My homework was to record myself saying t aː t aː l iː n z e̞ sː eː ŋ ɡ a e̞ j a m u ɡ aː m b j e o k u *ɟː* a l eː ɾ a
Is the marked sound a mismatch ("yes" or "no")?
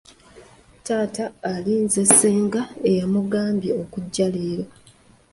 no